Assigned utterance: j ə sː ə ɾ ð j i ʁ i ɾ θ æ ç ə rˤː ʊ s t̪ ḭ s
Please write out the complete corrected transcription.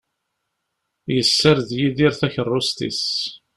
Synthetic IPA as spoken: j ə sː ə ɾ ð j i ð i ɾ θ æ ç ə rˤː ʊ s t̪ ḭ s